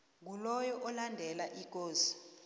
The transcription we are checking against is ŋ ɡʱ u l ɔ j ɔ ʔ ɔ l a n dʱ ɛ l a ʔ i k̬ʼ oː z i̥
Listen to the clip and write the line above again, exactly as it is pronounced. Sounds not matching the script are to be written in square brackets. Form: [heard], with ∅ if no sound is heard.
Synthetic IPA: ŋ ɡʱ u l ɔ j ɔ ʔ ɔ l a n dʱ ɛ l a ʔ i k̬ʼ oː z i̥